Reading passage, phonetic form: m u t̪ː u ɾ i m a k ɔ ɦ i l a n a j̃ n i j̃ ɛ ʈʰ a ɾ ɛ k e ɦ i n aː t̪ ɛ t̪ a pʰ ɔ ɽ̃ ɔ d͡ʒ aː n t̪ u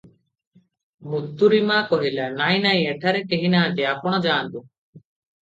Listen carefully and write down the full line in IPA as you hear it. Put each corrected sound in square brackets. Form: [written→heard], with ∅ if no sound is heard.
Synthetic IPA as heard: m u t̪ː u ɾ i m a k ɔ ɦ i l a n a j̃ n [i→a] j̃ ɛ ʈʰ a ɾ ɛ k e ɦ i n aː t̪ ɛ [t̪→∅] a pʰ ɔ ɽ̃ ɔ d͡ʒ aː n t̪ u

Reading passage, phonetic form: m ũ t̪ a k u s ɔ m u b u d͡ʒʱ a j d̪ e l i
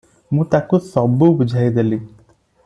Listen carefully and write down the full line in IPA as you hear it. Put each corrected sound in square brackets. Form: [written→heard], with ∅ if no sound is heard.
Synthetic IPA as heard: m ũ t̪ a k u s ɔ [m→b] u b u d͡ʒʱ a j d̪ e l i

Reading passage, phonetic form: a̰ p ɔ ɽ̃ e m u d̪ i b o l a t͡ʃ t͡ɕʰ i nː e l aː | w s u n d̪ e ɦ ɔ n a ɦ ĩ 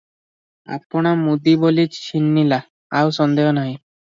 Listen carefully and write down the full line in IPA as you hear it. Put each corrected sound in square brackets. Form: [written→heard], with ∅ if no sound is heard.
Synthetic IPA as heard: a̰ p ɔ ɽ̃ [e→a] m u d̪ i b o l [a→i] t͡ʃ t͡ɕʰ i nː [e→i] l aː | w s [u→ɔ] n d̪ e ɦ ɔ n a ɦ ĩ

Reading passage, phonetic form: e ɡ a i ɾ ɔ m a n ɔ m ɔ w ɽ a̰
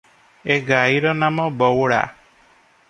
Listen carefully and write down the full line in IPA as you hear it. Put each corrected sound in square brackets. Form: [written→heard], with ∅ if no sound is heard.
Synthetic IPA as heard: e ɡ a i ɾ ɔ [m→n] a [n→m] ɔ [m→b] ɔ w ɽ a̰

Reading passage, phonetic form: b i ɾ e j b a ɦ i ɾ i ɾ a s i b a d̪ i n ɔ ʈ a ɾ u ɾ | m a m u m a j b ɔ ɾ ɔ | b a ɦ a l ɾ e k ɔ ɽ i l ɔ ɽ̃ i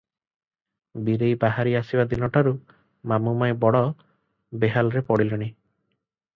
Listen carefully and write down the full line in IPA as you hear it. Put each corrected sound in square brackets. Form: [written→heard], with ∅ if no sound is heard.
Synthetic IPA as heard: b i ɾ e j b a ɦ [i→a] ɾ i [ɾ→∅] a s i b a d̪ i n ɔ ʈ a ɾ u [ɾ→∅] | m a m u m a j b ɔ [ɾ→ɽ] ɔ | b [a→e] ɦ a l ɾ e [k→p] ɔ ɽ i l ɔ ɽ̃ i

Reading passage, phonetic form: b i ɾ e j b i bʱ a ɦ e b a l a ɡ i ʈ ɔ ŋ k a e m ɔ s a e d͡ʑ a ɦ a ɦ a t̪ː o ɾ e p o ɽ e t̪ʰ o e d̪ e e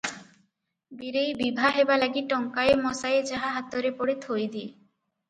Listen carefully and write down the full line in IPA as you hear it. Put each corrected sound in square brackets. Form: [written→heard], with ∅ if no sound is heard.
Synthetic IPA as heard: b i ɾ e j b i bʱ a ɦ e b a l a ɡ i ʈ ɔ ŋ k a e m ɔ s a e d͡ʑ a ɦ a ɦ a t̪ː o ɾ e p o ɽ e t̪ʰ o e d̪ [e→i] e

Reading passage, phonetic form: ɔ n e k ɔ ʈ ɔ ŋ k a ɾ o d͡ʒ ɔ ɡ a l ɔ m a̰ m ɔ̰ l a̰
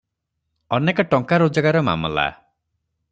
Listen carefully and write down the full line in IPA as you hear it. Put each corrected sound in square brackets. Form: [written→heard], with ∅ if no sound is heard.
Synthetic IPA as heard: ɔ n e k ɔ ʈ ɔ ŋ k a ɾ o d͡ʒ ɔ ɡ a [l→ɾ] ɔ m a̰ m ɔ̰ l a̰

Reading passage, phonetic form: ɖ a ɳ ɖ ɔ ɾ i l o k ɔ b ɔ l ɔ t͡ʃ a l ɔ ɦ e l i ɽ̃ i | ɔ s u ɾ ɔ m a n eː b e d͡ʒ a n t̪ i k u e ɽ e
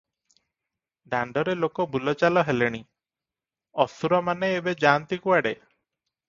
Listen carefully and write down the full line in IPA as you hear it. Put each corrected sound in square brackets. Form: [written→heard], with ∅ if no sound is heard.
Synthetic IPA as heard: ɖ a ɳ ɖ ɔ ɾ [i→e] l o k ɔ b [ɔ→u] l ɔ t͡ʃ a l ɔ ɦ e l [i→e] ɽ̃ i | ɔ s u ɾ ɔ m a n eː b e d͡ʒ a n t̪ i k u [e→a] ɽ e

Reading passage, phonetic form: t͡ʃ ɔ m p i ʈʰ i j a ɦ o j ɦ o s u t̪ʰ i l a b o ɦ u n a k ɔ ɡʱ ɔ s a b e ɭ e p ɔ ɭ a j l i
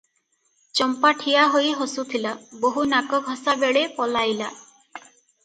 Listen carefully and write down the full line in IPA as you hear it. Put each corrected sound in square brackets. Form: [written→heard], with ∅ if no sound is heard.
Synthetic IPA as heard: t͡ʃ ɔ m p [i→a] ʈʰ i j a ɦ o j ɦ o s u t̪ʰ i l a b o ɦ u n a k ɔ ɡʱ ɔ s a b e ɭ e p ɔ [ɭ→l] a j l [i→a]

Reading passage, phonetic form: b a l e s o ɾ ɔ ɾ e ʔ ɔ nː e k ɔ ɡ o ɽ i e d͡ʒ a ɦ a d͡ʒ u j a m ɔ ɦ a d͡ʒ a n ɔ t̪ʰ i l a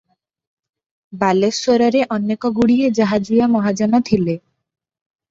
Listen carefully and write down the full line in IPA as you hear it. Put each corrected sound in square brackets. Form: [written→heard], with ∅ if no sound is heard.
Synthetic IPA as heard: b a l e s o ɾ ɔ ɾ e ʔ ɔ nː e k ɔ ɡ [o→u] ɽ i e d͡ʒ a ɦ a d͡ʒ u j a m ɔ ɦ a d͡ʒ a n ɔ t̪ʰ i l [a→e]

